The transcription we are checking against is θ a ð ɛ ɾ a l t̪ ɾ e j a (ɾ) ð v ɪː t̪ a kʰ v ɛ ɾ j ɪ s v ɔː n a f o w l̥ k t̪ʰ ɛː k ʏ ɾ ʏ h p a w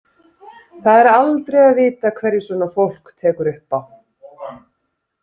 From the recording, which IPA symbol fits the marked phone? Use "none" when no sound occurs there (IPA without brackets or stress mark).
none